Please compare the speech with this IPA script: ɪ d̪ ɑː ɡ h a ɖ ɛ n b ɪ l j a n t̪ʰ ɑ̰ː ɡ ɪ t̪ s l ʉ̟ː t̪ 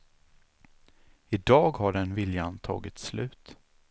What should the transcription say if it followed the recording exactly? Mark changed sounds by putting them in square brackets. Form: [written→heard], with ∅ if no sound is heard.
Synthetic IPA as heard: ɪ d̪ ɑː ɡ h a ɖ ɛ n [b→v] ɪ l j a n t̪ʰ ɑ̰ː ɡ ɪ t̪ s l ʉ̟ː t̪